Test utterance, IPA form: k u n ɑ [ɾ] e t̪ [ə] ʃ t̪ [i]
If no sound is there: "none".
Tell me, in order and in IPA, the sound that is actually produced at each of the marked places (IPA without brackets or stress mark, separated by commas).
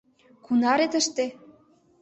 ɾ, ə, e